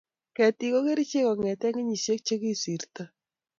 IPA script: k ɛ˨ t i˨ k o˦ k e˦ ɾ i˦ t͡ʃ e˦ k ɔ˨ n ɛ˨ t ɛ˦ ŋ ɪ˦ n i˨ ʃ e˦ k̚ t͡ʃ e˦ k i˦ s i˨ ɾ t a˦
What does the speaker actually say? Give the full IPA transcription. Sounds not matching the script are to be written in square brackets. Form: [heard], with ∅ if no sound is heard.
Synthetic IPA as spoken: k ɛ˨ t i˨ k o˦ k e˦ ɾ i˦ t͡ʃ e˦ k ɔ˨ [ŋ] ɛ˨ t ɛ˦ ŋ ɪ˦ [ɲ] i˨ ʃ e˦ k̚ t͡ʃ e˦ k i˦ s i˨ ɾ t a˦

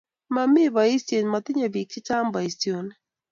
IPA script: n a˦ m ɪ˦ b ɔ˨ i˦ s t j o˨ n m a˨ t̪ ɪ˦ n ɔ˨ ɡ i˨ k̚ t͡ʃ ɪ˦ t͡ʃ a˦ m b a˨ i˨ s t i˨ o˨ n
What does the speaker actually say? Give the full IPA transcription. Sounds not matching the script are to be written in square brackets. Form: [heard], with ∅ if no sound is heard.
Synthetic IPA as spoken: [m] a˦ m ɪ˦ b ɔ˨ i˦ s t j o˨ n m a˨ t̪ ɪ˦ [ɲ] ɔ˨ [b] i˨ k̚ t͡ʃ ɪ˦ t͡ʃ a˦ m b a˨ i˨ s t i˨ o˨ n

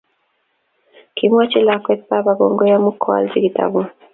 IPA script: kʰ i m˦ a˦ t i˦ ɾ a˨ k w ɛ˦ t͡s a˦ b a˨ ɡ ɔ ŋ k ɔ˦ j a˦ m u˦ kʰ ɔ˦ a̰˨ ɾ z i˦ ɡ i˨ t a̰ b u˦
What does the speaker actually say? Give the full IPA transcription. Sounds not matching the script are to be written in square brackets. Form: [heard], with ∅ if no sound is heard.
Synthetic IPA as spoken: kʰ i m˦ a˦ [t͡ʃ] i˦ [l] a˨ k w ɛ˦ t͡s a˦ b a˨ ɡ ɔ ŋ [ɡ] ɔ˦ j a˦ m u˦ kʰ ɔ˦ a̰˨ [l] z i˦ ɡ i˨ t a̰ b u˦

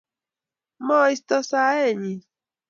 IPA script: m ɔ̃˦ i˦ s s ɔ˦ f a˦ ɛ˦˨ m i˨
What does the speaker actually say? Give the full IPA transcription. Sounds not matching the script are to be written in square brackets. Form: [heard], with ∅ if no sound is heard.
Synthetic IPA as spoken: m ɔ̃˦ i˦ s [t] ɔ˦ [s] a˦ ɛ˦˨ [ɲ] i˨

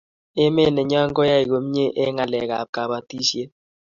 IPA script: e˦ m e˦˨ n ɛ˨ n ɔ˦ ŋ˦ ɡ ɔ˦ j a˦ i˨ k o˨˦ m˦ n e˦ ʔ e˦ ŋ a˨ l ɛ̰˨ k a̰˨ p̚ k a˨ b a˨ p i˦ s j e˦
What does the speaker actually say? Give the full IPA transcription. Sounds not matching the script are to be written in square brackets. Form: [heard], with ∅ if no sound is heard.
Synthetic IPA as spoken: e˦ m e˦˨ n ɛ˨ [ɲ] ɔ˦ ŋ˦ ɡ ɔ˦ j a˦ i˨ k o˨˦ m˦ [ɲ] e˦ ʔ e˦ ŋ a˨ l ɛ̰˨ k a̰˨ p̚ k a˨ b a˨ [t] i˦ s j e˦

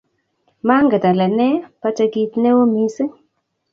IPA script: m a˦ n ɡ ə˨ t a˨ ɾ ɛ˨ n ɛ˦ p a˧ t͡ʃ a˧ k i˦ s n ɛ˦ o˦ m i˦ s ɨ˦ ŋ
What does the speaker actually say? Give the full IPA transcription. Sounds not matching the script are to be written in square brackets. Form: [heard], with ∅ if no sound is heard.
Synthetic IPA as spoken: m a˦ [ŋ] ɡ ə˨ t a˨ [l] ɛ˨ n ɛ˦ p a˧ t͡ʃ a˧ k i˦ [t] n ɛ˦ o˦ m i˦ s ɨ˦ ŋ

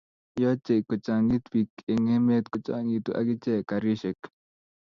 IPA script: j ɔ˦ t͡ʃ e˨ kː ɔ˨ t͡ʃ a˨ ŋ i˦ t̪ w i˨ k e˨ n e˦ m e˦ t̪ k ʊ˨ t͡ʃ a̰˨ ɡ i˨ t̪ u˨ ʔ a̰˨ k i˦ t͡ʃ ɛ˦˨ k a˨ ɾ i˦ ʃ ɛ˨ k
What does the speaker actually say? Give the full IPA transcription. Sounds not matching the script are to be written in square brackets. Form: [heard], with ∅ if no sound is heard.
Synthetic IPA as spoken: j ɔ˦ t͡ʃ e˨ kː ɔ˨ t͡ʃ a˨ ŋ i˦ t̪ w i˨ k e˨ [ŋ] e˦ m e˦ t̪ k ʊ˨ t͡ʃ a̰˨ [ŋ] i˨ t̪ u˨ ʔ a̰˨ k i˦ t͡ʃ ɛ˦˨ k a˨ ɾ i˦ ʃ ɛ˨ k

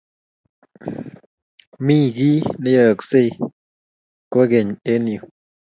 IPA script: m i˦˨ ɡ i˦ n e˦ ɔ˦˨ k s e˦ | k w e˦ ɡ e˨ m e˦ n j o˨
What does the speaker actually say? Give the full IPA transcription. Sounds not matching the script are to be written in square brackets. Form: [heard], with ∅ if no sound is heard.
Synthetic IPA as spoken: m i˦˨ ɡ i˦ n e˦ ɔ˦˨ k s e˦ | k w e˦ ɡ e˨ [ɲ] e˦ n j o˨

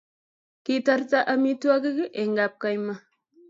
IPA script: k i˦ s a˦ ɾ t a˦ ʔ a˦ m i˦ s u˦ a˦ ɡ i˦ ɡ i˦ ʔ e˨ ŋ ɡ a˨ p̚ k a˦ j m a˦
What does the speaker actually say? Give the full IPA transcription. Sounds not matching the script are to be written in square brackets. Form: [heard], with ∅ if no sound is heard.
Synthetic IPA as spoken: k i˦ [t] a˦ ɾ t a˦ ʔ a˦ m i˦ [t] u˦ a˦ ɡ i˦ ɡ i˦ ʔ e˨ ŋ ɡ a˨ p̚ k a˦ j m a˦

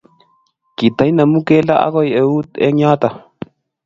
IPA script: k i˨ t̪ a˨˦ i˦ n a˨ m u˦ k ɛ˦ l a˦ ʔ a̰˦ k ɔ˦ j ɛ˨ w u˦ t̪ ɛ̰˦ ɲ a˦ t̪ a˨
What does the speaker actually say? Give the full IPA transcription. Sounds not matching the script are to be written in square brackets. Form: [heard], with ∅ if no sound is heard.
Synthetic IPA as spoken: k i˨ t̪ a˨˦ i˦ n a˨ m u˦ k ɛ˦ l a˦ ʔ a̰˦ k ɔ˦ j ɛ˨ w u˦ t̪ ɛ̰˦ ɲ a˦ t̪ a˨

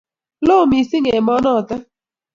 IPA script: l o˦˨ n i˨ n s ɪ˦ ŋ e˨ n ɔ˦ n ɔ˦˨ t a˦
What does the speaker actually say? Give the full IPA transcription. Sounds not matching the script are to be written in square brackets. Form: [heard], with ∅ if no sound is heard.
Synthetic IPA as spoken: l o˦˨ [m] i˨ [∅] s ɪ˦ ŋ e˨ [m] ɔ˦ n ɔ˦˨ t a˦

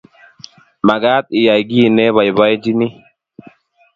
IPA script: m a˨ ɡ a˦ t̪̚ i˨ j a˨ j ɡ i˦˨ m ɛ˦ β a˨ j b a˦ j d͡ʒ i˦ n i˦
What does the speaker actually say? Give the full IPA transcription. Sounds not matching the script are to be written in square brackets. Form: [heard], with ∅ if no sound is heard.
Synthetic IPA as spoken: m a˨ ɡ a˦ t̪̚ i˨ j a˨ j ɡ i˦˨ [n] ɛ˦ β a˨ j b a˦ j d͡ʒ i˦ n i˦

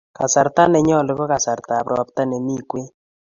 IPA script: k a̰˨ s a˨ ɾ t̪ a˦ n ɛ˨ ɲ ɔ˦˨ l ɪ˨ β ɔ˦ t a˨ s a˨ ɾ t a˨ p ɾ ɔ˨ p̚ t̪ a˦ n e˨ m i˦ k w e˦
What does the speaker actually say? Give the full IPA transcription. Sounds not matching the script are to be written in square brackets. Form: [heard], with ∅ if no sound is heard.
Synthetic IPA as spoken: k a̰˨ s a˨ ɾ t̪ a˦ n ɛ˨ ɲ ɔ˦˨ l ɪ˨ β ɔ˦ [k] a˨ s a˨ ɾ t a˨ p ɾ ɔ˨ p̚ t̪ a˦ n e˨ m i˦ k w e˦

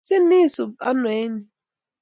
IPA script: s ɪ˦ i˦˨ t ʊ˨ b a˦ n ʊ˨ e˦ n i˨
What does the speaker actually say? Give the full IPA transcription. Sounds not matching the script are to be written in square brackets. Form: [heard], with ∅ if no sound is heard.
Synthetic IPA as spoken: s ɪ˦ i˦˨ [s] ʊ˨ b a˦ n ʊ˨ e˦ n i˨

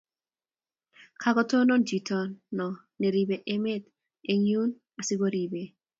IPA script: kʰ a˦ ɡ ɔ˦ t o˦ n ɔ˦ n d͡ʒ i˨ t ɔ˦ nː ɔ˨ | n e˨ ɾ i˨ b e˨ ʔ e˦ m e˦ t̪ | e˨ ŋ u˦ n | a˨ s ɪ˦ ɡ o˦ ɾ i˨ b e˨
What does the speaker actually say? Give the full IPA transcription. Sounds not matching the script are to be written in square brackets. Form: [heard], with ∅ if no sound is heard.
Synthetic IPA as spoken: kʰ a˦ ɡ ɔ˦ t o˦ n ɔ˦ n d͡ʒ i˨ t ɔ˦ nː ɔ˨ | n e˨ ɾ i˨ b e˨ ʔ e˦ m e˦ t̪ | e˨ [ɲ] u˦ n | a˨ s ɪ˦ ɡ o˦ ɾ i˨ b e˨

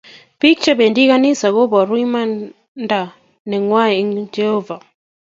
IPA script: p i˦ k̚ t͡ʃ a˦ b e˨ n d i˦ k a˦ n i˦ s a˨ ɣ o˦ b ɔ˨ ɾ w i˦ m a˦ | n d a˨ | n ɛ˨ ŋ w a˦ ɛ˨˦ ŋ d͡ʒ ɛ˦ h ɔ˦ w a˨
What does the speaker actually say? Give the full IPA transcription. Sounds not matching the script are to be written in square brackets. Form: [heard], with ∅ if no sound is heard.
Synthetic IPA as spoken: p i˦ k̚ t͡ʃ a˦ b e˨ n d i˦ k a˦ n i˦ s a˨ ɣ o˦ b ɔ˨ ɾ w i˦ m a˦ | n d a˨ | n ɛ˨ ŋ w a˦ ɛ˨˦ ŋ d͡ʒ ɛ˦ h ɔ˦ [v] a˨

